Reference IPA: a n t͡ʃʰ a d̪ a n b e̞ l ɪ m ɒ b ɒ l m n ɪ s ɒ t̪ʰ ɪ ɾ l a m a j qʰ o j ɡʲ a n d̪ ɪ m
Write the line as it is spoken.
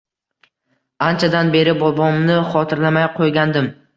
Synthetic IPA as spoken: a n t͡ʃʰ a d̪ a n b e̞ ɾ ɪ b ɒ b ɒ m n ɪ χ ɒ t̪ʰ ɪ ɾ l a m a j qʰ o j ɡʲ a n d̪ ɪ m

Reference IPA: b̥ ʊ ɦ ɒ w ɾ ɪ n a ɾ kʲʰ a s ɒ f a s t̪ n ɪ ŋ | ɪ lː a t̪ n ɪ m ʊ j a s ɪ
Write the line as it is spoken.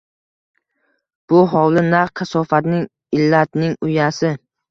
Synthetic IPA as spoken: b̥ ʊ ɦ ɒ w l ɪ n a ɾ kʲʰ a s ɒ f a t̪ n ɪ ŋ | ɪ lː a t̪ n ɪ ŋ ʊ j a s ɪ

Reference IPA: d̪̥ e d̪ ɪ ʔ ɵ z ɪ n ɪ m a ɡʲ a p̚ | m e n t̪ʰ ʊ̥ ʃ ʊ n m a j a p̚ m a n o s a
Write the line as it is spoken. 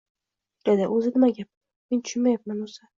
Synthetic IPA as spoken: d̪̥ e d̪ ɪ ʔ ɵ z ɪ n ɪ m a ɡʲ a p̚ | m e n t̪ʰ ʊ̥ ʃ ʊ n m a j a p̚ m a n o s a

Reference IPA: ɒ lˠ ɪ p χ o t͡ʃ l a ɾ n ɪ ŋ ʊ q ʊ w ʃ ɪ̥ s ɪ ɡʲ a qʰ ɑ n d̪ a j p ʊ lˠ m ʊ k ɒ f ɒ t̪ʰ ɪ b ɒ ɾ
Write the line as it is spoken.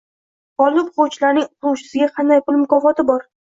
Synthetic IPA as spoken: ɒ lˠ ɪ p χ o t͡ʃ l a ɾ n ɪ ŋ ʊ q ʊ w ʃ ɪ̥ s ɪ ɡʲ a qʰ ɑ n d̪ a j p ʊ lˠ m ʊ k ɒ f ɒ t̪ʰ ɪ b ɒ ɾ

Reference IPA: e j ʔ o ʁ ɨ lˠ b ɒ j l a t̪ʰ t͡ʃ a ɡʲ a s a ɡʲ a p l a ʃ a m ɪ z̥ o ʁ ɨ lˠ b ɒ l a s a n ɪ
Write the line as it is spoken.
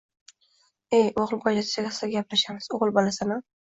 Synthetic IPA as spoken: e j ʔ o ʁ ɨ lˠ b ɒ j l a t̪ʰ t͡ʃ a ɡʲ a s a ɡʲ a p l a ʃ a m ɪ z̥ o ʁ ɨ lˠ b ɒ l a s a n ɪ

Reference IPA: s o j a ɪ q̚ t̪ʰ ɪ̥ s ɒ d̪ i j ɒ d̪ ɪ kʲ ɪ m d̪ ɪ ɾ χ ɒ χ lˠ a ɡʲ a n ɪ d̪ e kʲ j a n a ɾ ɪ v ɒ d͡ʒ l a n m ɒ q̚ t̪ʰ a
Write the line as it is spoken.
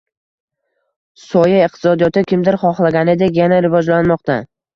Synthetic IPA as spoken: s ɒ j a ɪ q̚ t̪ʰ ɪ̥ s ɒ d̪ i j ɒ t̪ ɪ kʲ ɪ m d̪ ɪ ɾ χ ɒ χ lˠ a ɡʲ a n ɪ d̪ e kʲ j a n a ɾ ɪ v ɒ d͡ʒ l a n m ɒ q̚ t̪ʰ a

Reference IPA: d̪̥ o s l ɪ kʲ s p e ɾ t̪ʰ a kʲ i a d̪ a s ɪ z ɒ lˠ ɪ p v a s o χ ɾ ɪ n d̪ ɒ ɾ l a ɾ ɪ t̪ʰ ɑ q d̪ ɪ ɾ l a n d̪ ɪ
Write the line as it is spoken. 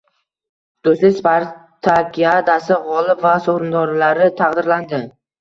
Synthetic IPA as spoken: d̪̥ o s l ɪ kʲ s p a ɾ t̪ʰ a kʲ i a d̪ a s ɪ ʁ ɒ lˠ ɪ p v a s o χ ɾ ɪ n d̪ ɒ ɾ l a ɾ ɪ t̪ʰ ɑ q d̪ ɪ ɾ l a n d̪ ɪ

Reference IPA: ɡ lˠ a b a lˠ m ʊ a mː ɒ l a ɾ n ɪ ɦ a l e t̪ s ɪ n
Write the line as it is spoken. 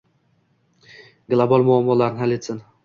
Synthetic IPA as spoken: ɡ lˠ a b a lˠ m ʊ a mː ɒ l a ɾ n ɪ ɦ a l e t̪ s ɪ n

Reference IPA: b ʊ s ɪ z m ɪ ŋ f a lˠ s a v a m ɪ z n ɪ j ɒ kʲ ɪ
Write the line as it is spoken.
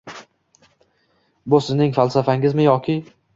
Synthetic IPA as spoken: b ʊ s ɪ z n ɪ ŋ f a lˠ s a f a ŋ ɪ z m ɪ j ɒ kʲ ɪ

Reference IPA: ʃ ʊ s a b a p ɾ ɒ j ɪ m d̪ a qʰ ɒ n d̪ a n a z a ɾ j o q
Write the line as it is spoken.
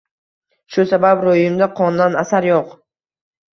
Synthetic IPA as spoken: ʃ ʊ s a b a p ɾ o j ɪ m d̪ a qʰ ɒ n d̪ a n a s a ɾ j o q

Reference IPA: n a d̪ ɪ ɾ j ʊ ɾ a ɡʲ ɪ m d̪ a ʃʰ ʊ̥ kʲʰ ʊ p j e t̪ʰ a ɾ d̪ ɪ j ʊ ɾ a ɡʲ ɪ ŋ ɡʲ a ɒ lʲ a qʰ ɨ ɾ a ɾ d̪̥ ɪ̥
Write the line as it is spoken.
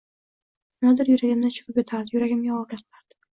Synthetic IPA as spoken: n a d̪ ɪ ɾ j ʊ ɾ a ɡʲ ɪ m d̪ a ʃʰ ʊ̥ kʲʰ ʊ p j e t̪ʰ a ɾ d̪ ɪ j ʊ ɾ a ɡʲ ɪ m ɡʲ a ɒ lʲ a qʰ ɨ l a ɾ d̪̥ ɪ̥

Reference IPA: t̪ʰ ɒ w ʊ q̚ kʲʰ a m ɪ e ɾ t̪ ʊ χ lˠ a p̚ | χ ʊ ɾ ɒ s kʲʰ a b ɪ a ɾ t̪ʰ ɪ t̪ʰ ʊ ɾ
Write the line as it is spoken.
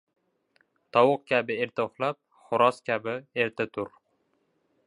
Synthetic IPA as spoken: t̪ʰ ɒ w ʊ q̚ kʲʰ a b ɪ e ɾ t̪ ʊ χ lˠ a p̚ | χ ʊ ɾ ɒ s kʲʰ a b ɪ e ɾ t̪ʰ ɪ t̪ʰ ʊ ɾ

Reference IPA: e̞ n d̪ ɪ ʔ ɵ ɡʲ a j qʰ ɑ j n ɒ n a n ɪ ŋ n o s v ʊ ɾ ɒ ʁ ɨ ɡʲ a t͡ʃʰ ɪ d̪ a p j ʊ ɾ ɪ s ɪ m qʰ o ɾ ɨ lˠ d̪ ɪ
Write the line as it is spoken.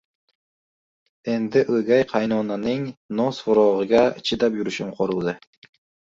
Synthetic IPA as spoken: e̞ n d̪ ɪ ʔ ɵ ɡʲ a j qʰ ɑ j n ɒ n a n ɪ ŋ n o s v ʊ ɾ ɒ ʁ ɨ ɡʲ a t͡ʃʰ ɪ d̪ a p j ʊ ɾ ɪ ʃ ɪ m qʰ o ɾ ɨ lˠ d̪ ɪ

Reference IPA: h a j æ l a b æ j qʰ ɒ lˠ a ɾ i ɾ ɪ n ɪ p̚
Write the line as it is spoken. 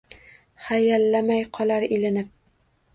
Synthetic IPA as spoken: χ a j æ lː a m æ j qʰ ɒ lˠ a ɾ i l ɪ n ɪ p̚

